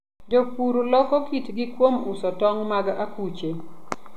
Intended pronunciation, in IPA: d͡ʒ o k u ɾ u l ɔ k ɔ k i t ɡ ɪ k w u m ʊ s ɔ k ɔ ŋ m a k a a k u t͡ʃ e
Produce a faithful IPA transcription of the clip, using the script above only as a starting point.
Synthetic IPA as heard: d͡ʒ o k u ɾ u l ɔ k ɔ k i t ɡ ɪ k w o m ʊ s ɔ t ɔ ŋ m a ɡ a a k u t͡ʃ e